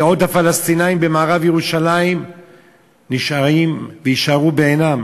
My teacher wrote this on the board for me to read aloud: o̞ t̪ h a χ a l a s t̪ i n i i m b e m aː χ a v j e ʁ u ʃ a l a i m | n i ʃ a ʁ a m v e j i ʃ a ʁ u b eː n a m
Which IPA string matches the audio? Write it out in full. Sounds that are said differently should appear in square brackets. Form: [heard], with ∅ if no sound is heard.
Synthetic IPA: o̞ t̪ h a [f] a l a s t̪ i n [a] i m b e m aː [ʁ] a v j e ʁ u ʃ a l a i m | n i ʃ a ʁ [i] m v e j i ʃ a ʁ u b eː n a m